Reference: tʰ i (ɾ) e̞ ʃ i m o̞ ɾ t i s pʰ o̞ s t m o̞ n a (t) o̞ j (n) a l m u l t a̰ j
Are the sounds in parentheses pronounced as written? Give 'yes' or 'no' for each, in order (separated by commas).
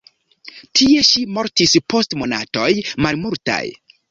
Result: no, yes, no